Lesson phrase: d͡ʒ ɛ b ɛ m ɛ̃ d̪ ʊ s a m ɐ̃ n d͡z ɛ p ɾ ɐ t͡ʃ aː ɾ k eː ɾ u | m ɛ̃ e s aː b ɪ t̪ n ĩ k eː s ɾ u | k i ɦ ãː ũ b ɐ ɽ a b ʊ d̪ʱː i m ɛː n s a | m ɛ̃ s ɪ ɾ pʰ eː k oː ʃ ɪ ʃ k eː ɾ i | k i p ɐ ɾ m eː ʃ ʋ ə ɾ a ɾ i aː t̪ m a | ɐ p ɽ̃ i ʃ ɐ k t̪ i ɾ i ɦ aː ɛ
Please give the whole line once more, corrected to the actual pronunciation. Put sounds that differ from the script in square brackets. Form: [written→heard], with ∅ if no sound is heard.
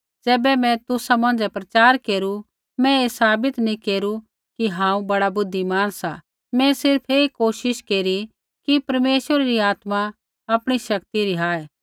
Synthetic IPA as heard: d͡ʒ [ɛ→ɛː] b ɛ m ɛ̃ [d̪→t̪] ʊ s a m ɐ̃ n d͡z ɛ p ɾ ɐ t͡ʃ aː ɾ k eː ɾ u | m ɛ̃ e s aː b ɪ t̪ n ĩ k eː [s→∅] ɾ u | k i ɦ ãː ũ b ɐ ɽ a b ʊ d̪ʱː i m [ɛː→aː] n s a | m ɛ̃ s ɪ ɾ pʰ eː k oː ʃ ɪ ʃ k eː ɾ i | k i p ɐ ɾ m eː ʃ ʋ ə ɾ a ɾ i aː t̪ m a | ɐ p ɽ̃ i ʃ ɐ k t̪ i ɾ i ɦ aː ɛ